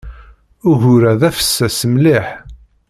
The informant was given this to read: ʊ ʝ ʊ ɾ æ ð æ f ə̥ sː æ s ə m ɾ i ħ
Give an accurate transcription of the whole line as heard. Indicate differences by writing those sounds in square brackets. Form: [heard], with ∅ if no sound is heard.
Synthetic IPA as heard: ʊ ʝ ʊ ɾ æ ð æ f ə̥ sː æ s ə m [l] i ħ